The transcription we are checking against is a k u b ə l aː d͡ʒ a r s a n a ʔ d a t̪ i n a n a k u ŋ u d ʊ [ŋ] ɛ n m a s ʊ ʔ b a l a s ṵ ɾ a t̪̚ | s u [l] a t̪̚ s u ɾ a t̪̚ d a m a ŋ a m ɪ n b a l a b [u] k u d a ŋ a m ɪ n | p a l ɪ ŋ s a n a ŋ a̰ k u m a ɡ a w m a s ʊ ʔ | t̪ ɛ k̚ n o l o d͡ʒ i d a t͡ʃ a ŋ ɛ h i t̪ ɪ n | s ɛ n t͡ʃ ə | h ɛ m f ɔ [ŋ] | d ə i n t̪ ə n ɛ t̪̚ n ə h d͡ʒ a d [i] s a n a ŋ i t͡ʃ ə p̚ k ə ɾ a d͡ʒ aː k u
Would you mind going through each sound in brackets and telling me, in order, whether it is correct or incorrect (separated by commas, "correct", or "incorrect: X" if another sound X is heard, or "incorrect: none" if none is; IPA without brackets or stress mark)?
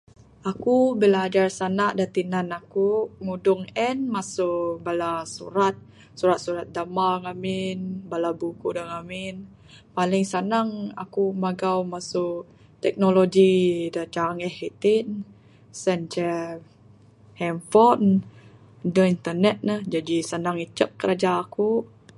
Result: correct, incorrect: ɾ, correct, incorrect: n, correct